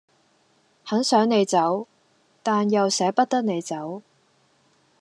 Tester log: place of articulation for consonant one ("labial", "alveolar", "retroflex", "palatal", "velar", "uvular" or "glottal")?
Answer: glottal